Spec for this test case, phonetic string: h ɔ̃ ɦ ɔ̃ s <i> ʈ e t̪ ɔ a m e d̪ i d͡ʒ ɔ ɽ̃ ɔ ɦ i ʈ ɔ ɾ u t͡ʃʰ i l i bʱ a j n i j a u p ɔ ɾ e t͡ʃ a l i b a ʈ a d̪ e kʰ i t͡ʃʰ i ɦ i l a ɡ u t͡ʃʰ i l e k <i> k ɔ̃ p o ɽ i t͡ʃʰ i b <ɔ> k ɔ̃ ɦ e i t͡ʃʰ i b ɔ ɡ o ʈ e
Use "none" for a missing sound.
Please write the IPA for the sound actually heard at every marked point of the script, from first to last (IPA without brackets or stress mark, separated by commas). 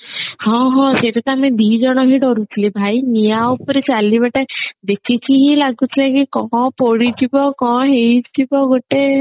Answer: e, i, ɔ